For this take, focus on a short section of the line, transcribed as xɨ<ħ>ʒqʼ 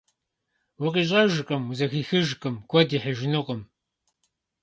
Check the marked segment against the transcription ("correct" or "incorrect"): incorrect